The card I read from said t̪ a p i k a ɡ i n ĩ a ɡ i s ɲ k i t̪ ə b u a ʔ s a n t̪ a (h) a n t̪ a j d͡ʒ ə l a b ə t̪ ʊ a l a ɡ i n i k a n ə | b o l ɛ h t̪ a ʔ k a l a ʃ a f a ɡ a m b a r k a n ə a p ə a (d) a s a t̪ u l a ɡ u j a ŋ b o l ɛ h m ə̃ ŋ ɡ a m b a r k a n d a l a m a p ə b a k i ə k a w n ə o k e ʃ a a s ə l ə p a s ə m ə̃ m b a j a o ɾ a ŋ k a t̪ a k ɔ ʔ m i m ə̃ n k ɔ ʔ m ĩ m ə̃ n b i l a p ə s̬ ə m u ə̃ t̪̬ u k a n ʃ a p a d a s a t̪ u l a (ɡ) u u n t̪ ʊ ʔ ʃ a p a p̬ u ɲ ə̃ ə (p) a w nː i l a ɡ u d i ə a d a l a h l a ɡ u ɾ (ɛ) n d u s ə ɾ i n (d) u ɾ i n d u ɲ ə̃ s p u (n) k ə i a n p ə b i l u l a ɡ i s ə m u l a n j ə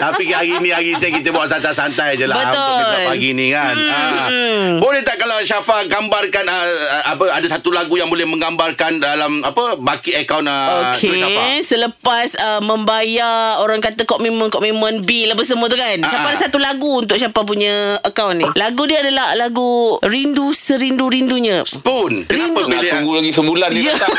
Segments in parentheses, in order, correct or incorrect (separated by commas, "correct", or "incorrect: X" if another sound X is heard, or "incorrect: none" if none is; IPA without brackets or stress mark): incorrect: s, correct, correct, incorrect: k, incorrect: i, correct, correct